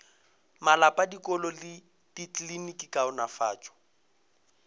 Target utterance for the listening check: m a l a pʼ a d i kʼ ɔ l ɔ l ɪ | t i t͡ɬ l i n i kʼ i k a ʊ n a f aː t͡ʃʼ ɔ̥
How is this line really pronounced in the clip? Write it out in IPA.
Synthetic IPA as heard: m a l a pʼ a d i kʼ ɔ l ɔ l ɪ | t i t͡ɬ l i n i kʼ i k a ʊ n a f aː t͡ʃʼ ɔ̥